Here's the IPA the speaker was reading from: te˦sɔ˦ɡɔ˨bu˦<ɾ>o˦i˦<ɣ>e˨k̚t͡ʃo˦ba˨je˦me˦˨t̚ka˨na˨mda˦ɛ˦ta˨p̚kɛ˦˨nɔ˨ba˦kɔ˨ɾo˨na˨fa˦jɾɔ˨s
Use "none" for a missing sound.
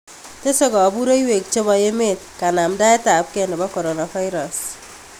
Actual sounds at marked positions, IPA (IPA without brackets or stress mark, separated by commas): ɾ, w